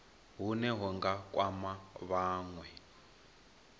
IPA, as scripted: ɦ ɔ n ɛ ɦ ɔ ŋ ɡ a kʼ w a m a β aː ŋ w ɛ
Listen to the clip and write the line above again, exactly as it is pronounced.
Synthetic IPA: ɦ u n ɛ ɦ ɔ ŋ ɡ a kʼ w a m a β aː ŋ w ɛ

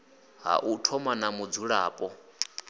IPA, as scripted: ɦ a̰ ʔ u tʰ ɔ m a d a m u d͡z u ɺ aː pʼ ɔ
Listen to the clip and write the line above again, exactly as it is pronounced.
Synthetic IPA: ɦ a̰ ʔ u tʰ ɔ m a n a m u d͡z u ɺ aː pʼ ɔ

